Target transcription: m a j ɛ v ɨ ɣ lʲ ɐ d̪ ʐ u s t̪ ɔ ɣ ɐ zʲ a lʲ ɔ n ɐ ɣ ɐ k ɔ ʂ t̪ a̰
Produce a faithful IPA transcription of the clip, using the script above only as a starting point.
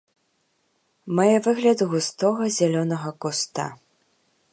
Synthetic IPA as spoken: m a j ɛ v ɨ ɣ lʲ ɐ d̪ ɣ u s t̪ ɔ ɣ ɐ zʲ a lʲ ɔ n ɐ ɣ ɐ k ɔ s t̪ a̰